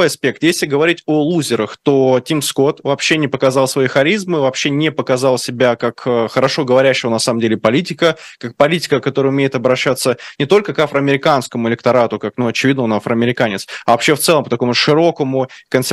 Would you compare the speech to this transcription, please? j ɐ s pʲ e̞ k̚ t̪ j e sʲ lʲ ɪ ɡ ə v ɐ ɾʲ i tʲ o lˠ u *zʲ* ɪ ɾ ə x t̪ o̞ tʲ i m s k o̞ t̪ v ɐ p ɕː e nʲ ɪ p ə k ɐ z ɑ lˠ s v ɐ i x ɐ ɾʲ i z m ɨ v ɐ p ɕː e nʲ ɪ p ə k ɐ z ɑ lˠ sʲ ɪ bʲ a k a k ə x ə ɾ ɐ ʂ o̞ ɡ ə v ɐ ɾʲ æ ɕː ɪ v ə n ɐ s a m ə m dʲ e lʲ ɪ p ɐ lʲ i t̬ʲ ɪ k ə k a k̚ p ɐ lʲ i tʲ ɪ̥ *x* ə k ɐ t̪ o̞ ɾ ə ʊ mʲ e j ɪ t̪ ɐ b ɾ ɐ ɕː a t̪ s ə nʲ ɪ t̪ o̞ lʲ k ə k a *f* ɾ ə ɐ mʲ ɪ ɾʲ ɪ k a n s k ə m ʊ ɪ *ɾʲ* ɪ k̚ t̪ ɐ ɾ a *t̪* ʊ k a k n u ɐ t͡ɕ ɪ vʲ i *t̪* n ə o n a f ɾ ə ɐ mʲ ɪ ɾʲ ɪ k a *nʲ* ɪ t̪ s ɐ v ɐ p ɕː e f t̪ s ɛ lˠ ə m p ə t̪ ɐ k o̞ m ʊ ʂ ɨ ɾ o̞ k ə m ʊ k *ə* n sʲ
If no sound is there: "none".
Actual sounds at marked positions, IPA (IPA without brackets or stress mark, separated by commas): zʲ, k, f, lʲ, t̪, d̪, nʲ, ə